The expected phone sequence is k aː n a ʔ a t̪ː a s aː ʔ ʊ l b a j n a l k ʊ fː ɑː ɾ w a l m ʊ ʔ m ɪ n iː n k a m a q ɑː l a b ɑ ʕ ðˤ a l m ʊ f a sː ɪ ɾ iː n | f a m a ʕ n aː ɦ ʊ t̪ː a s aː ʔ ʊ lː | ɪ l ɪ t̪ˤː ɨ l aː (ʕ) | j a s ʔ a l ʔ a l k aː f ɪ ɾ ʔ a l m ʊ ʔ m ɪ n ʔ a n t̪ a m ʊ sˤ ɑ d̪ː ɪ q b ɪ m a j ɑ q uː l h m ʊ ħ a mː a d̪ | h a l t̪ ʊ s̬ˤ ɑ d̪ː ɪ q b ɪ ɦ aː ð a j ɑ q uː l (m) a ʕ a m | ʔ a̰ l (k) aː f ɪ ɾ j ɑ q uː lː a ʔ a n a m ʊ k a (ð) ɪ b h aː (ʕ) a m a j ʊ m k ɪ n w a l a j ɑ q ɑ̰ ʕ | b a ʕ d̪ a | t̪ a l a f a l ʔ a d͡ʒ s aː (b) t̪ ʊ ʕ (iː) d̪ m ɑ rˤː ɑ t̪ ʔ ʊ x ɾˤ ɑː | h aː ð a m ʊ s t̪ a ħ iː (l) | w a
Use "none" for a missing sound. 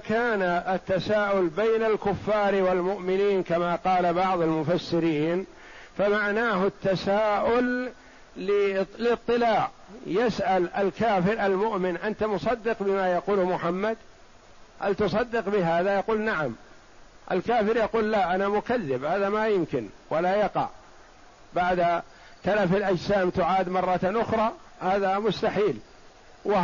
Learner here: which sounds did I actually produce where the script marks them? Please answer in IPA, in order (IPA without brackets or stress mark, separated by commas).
ʕ, n, k, ðː, ð, m, aː, l